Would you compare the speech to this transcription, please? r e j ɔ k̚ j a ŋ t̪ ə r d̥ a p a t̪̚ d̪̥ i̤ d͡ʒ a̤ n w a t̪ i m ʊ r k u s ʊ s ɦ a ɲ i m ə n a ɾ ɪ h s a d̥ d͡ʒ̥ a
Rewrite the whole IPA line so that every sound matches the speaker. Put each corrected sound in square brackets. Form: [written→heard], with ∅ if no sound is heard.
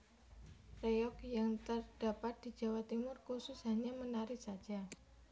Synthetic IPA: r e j ɔ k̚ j a ŋ t̪ ə r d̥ a p a t̪̚ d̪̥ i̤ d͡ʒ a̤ [n→∅] w a t̪ i m ʊ r k u s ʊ s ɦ a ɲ [i→a] m ə n a ɾ ɪ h s a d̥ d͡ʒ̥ a